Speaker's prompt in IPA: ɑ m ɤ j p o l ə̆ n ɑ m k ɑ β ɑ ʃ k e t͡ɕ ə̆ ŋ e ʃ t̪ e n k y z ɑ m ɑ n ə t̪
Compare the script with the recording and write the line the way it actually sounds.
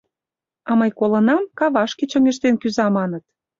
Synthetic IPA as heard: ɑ m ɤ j k o l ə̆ n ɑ m k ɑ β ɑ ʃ k e t͡ɕ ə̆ ŋ e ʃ t̪ e n k y z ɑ m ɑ n ə t̪